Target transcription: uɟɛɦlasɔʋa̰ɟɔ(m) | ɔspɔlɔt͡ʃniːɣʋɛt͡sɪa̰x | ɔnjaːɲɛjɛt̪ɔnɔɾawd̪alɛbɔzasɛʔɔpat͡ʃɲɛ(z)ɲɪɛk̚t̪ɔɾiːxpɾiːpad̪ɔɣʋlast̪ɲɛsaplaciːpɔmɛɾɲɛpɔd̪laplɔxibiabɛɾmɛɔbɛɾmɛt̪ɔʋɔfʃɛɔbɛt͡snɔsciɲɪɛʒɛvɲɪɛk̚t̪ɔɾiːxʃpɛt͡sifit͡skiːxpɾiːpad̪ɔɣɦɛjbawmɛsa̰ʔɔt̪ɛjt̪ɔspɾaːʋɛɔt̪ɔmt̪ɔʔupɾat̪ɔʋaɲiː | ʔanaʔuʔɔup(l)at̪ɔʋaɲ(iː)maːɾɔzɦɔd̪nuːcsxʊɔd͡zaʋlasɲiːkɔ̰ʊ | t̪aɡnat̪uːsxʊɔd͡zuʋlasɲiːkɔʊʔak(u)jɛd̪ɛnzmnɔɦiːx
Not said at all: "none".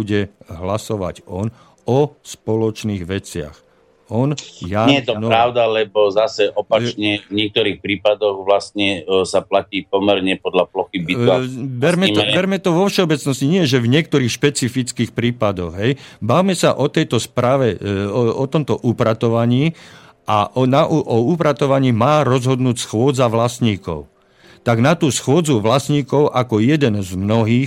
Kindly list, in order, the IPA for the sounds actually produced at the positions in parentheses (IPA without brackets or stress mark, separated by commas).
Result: n, v, ɾ, iː, ɔ